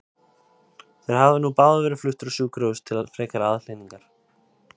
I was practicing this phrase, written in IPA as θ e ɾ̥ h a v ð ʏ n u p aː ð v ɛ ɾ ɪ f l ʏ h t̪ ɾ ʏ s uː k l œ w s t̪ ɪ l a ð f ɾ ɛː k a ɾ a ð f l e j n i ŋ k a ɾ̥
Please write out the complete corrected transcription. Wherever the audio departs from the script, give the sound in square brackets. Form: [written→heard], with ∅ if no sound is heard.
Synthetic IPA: θ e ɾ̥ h a v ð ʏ n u p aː ð v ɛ ɾ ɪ f l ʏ h t̪ ɾ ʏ s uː k [l→ɾ] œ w s [t̪→t̪ʰ] ɪ l a ð f ɾ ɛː k a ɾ a ð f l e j n i ŋ k a ɾ̥